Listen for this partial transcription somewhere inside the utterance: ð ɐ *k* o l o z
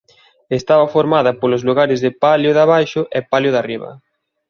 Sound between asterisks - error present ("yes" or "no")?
yes